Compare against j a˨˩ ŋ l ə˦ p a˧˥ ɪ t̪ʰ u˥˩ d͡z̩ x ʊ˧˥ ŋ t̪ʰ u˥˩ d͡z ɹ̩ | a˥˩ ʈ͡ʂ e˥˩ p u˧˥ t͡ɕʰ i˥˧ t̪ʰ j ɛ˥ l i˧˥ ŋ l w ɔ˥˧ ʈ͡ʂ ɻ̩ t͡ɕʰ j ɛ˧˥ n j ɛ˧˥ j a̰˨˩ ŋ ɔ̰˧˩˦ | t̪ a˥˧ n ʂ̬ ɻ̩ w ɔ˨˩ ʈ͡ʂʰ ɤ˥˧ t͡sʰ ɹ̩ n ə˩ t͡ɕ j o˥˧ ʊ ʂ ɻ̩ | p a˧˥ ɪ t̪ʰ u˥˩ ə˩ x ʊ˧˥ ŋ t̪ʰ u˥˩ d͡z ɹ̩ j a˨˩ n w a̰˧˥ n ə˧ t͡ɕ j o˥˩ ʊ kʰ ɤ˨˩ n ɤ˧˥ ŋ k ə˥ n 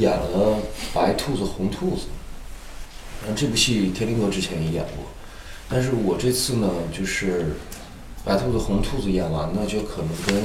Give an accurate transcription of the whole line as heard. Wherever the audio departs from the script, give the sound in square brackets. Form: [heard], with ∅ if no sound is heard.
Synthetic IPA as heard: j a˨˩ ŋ l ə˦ p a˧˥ ɪ t̪ʰ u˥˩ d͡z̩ x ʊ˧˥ ŋ t̪ʰ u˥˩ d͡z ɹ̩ | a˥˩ ʈ͡ʂ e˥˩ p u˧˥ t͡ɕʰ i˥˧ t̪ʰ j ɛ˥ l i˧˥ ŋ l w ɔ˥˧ ʈ͡ʂ ɻ̩ t͡ɕʰ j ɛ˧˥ n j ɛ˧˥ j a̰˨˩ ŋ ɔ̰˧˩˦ | t̪ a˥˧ n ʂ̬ ɻ̩ w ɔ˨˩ [ʈ͡ʂ] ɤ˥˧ t͡sʰ ɹ̩ n ə˩ t͡ɕ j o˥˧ ʊ ʂ ɻ̩ | p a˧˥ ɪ t̪ʰ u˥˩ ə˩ x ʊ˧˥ ŋ t̪ʰ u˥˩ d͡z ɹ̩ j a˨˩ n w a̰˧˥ n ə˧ t͡ɕ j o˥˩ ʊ kʰ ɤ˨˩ n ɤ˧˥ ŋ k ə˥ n